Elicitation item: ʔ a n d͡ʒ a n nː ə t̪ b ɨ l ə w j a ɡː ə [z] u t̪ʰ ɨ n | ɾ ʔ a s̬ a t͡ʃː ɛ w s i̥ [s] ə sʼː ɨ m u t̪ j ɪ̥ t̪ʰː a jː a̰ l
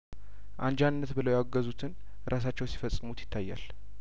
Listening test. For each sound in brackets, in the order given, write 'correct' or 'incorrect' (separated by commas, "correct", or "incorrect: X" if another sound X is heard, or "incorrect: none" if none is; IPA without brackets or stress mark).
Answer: correct, incorrect: f